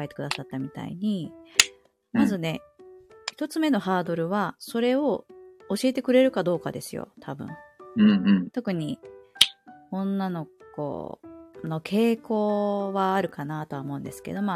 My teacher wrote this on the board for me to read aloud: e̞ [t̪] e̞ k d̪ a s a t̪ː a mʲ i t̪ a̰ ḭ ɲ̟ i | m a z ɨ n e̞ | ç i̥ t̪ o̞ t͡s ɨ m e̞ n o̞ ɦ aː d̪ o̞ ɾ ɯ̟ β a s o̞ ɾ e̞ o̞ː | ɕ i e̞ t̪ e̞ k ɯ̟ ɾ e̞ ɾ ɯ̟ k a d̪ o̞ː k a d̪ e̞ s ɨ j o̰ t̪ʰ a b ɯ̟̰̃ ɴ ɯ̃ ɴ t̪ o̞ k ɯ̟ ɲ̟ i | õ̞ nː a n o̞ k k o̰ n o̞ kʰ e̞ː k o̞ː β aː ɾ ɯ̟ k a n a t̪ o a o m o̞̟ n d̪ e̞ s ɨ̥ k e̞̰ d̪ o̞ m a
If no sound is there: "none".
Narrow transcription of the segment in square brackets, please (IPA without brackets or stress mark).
t̪